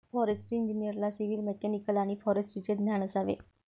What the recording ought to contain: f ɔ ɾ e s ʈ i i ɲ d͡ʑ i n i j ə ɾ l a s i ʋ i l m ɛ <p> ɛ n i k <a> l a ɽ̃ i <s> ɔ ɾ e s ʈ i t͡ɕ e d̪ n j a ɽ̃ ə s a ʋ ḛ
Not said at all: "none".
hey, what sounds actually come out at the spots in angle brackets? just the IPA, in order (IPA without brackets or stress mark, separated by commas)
k, ə, f